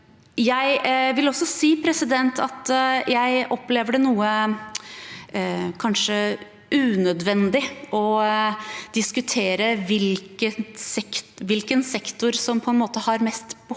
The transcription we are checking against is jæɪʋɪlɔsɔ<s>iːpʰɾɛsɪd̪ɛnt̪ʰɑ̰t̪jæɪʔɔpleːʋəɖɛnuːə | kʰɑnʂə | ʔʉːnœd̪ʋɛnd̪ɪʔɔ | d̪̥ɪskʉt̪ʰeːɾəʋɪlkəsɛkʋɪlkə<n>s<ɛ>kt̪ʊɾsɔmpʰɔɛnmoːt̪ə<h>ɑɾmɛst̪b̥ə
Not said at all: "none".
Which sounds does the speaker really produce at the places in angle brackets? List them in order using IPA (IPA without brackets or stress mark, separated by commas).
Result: s, n, ɛ, h